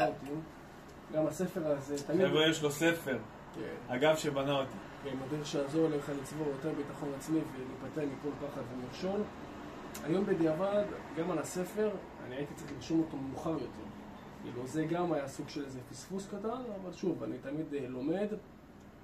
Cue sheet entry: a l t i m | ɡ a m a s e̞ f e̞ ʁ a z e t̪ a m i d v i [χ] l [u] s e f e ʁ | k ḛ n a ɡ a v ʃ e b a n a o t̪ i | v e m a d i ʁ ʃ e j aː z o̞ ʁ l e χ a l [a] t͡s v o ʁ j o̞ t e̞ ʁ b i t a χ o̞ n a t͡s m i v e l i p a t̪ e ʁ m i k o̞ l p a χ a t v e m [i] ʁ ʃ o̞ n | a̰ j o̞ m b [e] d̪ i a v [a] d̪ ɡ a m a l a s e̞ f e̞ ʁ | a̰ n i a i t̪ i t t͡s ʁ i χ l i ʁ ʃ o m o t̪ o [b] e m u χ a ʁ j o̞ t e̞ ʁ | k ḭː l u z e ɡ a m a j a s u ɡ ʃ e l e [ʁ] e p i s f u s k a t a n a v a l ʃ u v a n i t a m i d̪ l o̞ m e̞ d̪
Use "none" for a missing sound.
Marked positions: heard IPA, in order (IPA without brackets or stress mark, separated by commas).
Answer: ʃ, o, i, i, e, a, m, z